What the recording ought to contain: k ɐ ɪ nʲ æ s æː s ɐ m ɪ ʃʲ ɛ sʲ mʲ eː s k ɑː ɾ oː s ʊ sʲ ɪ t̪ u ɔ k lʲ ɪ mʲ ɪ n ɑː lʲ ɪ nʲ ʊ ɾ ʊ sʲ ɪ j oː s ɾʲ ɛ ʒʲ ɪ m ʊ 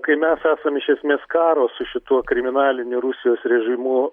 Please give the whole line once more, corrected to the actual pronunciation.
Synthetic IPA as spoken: k ɐ ɪ mʲ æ s æː s ɐ m ɪ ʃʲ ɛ sʲ mʲ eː s k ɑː ɾ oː s ʊ ʃʲ ɪ t̪ u ɔ k ɾʲ ɪ mʲ ɪ n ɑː lʲ ɪ nʲ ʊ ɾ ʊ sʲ ɪ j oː s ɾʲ ɛ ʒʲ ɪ m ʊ